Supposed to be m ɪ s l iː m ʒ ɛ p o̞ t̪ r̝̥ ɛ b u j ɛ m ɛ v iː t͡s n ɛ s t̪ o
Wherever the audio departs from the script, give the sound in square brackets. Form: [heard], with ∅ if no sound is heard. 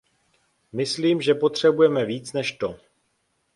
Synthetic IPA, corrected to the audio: m ɪ s l iː m ʒ ɛ p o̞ t̪ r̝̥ ɛ b u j ɛ m ɛ v iː t͡s n ɛ [ʃ] t̪ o